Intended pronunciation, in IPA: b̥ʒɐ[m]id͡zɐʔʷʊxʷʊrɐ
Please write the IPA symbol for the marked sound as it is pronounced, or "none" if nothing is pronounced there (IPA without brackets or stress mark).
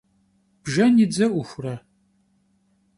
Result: n